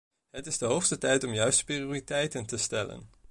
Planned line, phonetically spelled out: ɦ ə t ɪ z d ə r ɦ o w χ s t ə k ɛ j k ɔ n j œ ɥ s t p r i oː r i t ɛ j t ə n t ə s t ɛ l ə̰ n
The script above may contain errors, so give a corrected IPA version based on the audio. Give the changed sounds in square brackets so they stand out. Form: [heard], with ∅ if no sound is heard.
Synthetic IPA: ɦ ə t ɪ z d ə [∅] ɦ o w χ s t ə [t] ɛ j [t] ɔ [m] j œ ɥ s t p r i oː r i t ɛ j t ə n t ə s t ɛ l ə̰ n